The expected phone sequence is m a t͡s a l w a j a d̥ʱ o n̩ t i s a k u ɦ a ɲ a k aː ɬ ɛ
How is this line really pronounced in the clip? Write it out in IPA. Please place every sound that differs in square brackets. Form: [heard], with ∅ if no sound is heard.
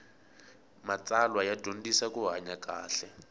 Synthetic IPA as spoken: m a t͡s a l w a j a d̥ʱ o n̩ [d] i s a k u ɦ a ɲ a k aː ɬ ɛ